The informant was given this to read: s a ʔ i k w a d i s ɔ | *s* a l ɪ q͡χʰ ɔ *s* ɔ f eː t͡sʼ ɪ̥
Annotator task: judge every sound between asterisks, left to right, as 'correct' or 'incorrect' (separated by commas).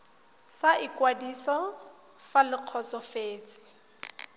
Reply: incorrect, incorrect